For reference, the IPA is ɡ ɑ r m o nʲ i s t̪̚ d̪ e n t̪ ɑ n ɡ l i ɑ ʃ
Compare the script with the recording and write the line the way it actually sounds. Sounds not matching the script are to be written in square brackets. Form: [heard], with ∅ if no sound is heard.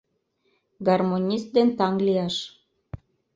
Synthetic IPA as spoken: ɡ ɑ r m o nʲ i s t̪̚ d̪ e n t̪ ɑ [ŋ] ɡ l i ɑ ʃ